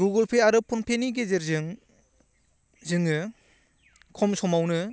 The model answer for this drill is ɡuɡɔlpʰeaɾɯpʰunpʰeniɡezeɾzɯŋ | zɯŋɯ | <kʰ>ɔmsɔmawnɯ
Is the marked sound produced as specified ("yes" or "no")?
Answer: yes